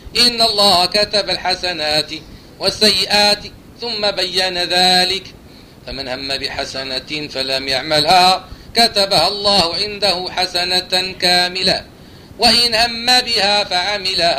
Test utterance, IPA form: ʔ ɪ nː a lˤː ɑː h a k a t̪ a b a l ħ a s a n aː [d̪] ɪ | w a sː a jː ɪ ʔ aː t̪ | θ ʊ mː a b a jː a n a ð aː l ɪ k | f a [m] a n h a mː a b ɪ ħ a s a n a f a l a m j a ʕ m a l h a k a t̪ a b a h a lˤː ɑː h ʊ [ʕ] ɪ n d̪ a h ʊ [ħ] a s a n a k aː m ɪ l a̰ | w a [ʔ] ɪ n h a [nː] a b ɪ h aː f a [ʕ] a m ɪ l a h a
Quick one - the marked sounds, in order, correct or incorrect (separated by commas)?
incorrect, correct, correct, correct, correct, incorrect, correct